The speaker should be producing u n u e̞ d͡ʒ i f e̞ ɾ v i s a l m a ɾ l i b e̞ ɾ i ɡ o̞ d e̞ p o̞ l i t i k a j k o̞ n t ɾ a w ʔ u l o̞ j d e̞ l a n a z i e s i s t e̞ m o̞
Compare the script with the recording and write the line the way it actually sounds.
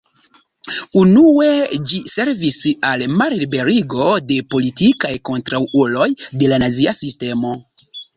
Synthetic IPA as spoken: u n u e̞ d͡ʒ i s e̞ ɾ v i s a l m a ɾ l i b e̞ ɾ i ɡ o̞ d e̞ p o̞ l i t i k a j k o̞ n t ɾ a w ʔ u l o̞ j d e̞ l a n a z i a s i s t e̞ m o̞